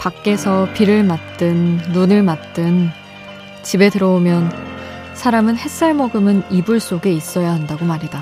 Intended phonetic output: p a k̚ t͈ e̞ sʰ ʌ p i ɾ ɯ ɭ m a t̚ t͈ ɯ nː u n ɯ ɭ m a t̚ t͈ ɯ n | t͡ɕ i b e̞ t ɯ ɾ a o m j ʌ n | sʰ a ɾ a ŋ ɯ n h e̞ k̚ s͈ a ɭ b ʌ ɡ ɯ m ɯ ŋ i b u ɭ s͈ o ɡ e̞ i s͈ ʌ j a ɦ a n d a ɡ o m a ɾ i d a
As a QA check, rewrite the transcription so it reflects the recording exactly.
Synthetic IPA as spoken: p a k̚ k͈ e̞ sʰ ʌ p i ɾ ɯ ɭ m a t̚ t͈ ɯ nː u n ɯ ɭ m a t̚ t͈ ɯ n | t͡ɕ i b e̞ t ɯ ɾ ʌ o m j ʌ n | sʰ a ɾ a m ɯ n h e̞ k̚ s͈ a ɭ m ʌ ɡ ɯ m ɯ n i b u ɭ s͈ o ɡ e̞ i s͈ ʌ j a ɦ a n d a ɡ o m a ɾ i d a